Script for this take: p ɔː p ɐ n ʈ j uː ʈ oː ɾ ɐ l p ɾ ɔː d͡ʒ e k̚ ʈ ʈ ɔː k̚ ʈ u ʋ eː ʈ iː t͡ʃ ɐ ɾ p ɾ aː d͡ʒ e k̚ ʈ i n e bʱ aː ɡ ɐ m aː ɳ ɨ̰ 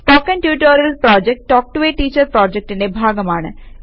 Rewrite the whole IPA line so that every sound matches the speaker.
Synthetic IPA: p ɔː k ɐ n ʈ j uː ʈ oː ɾ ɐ l p ɾ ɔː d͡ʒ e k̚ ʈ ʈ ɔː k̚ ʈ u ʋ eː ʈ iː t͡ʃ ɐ ɾ p ɾ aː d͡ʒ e k̚ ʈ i n e bʱ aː ɡ ɐ m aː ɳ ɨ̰